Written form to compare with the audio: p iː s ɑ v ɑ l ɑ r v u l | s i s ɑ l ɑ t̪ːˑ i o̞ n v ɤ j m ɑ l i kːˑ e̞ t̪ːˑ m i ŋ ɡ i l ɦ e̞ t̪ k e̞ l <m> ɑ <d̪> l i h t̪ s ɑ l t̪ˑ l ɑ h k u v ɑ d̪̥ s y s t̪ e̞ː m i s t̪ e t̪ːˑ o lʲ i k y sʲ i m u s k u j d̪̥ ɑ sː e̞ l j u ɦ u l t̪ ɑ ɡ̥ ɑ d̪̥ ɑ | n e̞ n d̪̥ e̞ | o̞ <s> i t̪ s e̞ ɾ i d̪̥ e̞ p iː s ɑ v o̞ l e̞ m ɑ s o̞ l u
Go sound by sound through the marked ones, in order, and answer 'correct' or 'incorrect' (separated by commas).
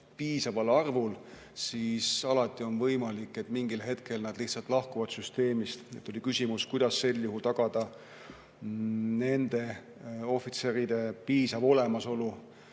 incorrect, correct, incorrect